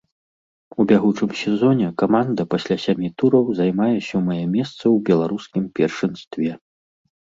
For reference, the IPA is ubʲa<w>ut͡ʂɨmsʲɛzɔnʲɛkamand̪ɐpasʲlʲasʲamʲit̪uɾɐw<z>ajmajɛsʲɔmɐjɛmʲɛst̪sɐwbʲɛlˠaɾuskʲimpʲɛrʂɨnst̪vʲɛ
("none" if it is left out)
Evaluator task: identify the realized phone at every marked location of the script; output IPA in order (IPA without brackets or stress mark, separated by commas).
ɣ, z